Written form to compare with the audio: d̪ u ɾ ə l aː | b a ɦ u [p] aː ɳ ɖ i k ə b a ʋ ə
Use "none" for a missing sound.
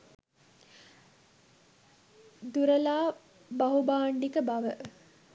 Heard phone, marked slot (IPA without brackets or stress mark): b